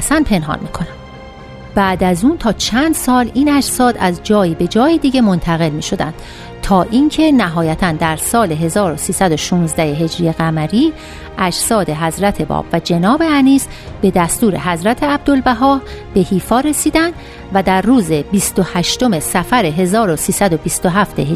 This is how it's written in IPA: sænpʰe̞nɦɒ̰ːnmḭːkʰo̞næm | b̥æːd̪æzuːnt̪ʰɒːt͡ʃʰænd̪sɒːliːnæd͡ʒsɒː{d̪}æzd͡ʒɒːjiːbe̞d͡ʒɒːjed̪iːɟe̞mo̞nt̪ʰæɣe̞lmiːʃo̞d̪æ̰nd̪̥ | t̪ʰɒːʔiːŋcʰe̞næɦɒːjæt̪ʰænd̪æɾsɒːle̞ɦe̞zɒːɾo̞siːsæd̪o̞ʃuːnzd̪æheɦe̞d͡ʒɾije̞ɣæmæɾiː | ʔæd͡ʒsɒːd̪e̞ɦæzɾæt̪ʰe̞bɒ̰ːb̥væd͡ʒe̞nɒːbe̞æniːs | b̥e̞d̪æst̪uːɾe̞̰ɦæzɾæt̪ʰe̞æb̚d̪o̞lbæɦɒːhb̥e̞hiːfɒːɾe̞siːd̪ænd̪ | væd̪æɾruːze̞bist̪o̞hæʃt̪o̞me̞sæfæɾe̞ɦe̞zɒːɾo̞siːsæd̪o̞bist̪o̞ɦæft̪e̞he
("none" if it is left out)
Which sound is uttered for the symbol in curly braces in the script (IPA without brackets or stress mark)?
d̪